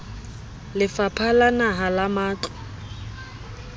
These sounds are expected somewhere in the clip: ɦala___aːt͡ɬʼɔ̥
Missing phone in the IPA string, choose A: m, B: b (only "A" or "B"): A